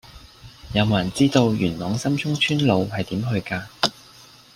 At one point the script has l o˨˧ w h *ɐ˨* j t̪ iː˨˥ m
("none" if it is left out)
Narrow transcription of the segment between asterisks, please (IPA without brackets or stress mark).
ɐ˨